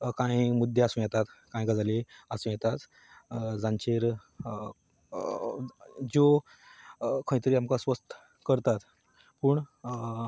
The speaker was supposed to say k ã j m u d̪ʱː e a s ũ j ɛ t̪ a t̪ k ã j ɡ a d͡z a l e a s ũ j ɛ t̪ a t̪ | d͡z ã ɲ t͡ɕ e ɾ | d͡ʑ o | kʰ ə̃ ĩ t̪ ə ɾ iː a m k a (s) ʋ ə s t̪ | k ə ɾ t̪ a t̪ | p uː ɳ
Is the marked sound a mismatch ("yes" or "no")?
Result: no